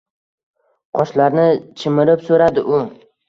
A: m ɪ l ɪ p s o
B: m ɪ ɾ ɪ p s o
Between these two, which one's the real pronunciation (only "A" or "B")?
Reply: B